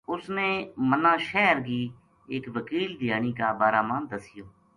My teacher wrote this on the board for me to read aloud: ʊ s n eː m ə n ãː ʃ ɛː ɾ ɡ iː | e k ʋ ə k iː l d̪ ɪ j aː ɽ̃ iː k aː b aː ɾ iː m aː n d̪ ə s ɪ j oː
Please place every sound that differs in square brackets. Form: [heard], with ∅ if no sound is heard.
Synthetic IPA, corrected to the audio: ʊ s n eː m ə n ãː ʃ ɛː ɾ ɡ iː | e k ʋ ə k iː l d̪ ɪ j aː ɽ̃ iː k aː b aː ɾ [aː] m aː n d̪ ə s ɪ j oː